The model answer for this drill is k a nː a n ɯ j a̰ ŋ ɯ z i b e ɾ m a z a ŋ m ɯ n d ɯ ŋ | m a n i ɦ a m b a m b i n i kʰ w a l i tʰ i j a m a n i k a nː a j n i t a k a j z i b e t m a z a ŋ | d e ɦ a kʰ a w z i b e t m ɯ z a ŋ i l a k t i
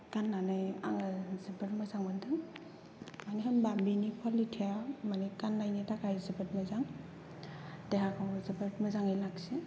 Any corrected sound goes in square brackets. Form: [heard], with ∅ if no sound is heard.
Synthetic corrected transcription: k a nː a n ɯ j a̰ ŋ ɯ z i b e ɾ m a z a ŋ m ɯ n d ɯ ŋ | m a n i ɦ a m b a m b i n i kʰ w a l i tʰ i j a m a n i k a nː a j n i t a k a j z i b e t m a z a ŋ | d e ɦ a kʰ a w z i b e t m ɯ z a ŋ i l a k [s] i